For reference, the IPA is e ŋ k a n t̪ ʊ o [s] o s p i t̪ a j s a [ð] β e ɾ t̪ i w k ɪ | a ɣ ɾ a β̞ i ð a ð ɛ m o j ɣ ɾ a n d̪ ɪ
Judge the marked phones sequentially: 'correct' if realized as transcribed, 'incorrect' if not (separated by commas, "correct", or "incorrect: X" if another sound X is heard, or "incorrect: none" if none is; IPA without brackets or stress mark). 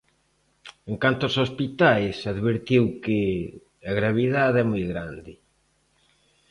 correct, correct